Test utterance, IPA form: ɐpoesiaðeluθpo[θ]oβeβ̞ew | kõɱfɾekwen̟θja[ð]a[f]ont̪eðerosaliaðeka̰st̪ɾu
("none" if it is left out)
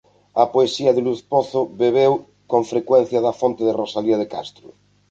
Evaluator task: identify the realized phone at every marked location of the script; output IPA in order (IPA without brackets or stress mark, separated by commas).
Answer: θ, ð, f